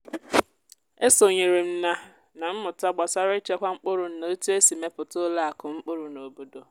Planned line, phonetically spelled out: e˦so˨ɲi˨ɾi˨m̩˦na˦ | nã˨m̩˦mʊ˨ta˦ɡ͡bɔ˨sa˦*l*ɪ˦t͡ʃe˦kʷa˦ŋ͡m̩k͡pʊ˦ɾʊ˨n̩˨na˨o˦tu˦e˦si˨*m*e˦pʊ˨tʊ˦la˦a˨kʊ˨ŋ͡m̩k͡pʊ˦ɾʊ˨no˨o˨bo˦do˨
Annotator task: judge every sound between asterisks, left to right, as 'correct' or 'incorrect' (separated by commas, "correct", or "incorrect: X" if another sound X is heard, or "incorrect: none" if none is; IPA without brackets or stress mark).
incorrect: ɾ, correct